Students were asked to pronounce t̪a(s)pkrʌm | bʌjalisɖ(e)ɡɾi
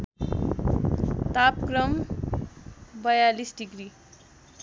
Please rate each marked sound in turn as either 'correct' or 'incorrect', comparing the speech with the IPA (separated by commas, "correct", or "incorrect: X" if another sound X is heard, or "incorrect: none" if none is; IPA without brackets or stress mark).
incorrect: none, incorrect: i